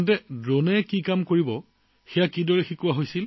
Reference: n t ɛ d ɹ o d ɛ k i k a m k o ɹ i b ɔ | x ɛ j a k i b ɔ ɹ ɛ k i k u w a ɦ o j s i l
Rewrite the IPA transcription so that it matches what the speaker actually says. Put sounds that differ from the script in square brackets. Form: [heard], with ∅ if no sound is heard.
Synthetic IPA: n t ɛ d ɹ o [n] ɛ k i k a m k o ɹ i b ɔ | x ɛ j a k i [d] ɔ ɹ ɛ [x] i k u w a ɦ o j s i l